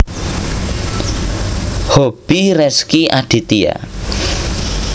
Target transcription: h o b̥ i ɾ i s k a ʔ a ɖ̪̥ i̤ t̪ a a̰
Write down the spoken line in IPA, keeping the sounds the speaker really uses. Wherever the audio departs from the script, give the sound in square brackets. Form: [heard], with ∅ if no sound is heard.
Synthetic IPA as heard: h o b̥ i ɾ [ɛ] s k [i] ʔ a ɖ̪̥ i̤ t̪ [i] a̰